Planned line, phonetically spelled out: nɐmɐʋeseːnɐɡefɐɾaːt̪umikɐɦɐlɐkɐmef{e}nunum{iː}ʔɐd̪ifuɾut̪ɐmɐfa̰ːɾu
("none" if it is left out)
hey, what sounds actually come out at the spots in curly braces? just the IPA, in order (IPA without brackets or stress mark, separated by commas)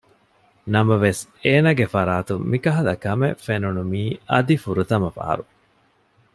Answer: e, iː